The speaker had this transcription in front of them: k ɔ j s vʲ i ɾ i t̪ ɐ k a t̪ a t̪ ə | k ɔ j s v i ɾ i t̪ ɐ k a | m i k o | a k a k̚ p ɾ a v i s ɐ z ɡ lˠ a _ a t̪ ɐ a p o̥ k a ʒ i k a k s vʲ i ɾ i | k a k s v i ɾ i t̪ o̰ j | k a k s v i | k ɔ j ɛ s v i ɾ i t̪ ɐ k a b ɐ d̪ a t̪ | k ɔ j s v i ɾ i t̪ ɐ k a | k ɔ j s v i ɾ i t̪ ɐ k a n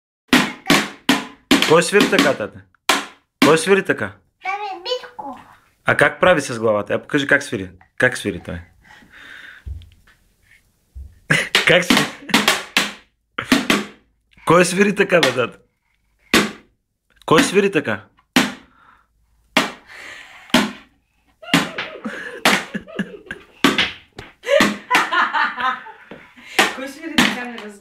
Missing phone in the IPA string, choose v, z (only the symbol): v